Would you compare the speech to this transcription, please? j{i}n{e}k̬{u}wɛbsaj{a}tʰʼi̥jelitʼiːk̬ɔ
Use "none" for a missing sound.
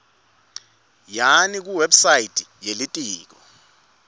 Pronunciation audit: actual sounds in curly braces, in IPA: a, i, u, i

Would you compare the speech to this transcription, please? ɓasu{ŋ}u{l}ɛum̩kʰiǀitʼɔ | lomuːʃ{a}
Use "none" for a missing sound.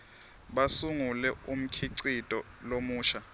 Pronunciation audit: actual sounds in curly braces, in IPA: ŋ, l, a

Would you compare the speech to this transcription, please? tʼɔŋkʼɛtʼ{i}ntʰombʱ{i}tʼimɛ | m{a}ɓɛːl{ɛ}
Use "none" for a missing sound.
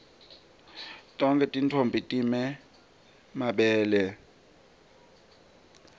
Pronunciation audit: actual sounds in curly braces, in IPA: i, i, a, ɛ

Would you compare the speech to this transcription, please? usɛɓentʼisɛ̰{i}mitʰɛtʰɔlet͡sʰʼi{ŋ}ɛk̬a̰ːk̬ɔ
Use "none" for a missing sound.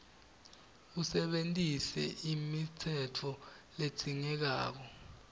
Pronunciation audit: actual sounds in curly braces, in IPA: i, ŋ

